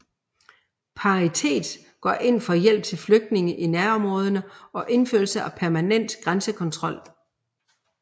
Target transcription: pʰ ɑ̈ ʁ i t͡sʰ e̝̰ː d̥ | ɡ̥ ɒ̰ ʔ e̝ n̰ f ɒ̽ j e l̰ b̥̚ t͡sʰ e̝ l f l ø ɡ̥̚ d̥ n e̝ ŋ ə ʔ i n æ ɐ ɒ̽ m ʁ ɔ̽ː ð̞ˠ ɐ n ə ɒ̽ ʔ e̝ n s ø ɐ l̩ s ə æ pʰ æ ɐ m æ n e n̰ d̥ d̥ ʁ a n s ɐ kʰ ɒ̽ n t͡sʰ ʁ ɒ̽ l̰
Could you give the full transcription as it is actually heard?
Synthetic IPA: pʰ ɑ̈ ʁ i t͡sʰ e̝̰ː d̥ | ɡ̥ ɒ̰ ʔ e̝ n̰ f ɒ̽ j e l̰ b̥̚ t͡sʰ e̝ l f l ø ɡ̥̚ d̥ n e̝ ŋ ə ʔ i n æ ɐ ɒ̽ m ʁ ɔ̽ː ð̞ˠ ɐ n ə ɒ̽ ʔ e̝ n f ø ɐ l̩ s ə æ pʰ æ ɐ m æ n e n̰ d̥ ɡ̥ ʁ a n s ə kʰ ɒ̽ n t͡sʰ ʁ ɒ̽ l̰